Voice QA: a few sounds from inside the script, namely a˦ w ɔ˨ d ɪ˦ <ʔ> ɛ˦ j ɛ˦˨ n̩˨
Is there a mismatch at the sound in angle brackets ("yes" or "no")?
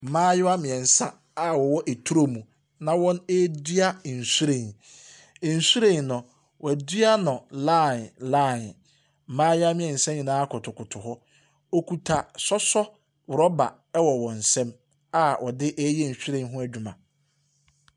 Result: no